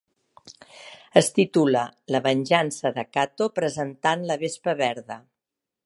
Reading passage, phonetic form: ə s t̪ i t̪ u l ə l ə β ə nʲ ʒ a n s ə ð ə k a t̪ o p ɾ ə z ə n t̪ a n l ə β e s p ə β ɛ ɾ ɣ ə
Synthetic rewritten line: ə s t̪ i t̪ u l ə l ə β ə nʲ ʒ a n s ə ð ə k a t̪ o p ɾ ə z ə n t̪ a n l ə β e s p ə β ɛ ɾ ð ə